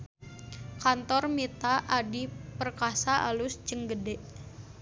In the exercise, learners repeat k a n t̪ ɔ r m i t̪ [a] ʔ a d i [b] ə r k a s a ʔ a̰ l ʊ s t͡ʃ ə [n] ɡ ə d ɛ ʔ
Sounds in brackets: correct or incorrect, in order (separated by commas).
correct, incorrect, incorrect